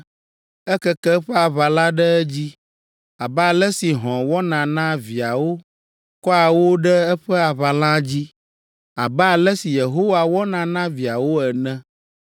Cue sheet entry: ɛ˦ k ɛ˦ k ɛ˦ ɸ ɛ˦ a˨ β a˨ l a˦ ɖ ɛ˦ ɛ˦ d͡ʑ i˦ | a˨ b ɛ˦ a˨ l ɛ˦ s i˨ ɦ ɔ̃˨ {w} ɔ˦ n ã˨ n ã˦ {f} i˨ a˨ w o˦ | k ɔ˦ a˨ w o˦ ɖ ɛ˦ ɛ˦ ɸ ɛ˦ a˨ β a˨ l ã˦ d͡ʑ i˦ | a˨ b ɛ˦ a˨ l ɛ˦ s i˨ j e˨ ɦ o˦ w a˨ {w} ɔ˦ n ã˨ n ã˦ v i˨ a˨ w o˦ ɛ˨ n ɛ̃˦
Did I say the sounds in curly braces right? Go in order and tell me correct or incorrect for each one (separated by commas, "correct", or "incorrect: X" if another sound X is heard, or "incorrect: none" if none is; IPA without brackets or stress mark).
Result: correct, incorrect: v, correct